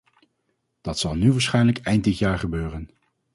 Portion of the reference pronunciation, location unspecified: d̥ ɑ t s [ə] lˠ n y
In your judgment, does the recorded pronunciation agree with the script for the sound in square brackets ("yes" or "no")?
no